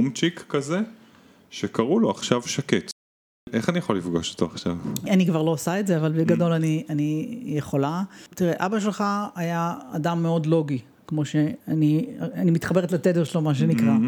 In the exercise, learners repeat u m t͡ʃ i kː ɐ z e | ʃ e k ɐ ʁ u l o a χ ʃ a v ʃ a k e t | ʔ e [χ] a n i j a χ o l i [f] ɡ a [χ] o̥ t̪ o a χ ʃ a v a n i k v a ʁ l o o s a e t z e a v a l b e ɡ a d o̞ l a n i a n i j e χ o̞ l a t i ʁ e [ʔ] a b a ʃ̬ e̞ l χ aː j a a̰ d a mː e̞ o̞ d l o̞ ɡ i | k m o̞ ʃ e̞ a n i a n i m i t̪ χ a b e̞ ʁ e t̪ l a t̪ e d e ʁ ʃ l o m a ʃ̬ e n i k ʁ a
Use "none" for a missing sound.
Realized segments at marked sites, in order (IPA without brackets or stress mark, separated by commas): χ, f, ʃ, ʔ